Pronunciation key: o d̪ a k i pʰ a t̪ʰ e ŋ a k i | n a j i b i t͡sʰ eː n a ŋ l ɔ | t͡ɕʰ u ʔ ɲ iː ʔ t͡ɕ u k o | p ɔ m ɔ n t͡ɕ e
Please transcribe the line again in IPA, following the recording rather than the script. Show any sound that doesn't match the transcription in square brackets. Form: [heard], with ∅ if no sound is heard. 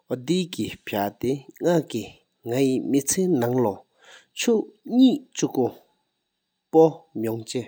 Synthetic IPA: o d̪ [i] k i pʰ a [t̪] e ŋ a k i | [ŋ] a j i [m] i t͡sʰ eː n a ŋ l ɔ | t͡ɕʰ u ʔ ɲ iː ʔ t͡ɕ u k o | p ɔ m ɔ [ŋ] t͡ɕ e